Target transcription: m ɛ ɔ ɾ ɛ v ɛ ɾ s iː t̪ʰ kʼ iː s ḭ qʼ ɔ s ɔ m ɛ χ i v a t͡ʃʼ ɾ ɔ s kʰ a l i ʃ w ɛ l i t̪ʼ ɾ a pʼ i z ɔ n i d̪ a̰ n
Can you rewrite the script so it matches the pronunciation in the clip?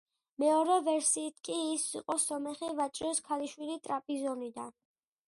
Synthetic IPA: m ɛ ɔ ɾ ɛ v ɛ ɾ s iː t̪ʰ kʼ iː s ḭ qʼ ɔ s ɔ m ɛ χ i v a t͡ʃʼ ɾ ɔ s kʰ a l i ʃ w i l i t̪ʼ ɾ a pʼ i z ɔ n i d̪ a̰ n